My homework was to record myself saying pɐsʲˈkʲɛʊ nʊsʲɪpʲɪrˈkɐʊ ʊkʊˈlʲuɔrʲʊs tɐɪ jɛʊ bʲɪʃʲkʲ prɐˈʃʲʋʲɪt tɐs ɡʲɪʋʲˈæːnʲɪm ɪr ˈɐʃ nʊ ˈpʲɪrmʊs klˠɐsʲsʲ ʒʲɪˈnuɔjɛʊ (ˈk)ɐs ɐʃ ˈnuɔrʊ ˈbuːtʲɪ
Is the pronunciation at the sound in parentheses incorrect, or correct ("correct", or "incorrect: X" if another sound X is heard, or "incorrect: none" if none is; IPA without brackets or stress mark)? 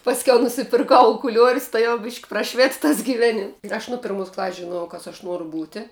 correct